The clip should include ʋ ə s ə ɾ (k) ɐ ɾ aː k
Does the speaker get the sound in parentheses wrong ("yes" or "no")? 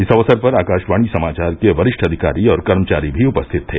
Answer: yes